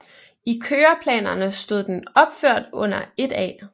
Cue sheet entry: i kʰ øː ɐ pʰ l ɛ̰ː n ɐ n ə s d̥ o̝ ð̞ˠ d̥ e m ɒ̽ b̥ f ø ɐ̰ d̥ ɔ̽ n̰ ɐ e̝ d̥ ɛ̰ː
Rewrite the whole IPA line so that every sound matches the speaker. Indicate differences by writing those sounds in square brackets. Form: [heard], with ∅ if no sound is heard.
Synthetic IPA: i kʰ øː ɐ pʰ l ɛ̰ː n ɐ n ə s d̥ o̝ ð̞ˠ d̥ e [n] ɒ̽ b̥ f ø ɐ̰ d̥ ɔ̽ n̰ ɐ e̝ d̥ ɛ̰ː